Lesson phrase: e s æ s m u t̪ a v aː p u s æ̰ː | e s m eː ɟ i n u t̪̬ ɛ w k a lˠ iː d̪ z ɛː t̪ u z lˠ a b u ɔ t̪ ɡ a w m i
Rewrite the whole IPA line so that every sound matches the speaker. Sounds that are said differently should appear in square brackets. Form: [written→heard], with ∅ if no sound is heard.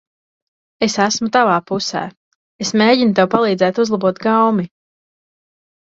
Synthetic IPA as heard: e s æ s m u t̪ a v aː p u s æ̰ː | e s m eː ɟ i n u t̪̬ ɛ w [k→p] a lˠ iː d̪ z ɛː t̪ u z lˠ a b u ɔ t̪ ɡ a w m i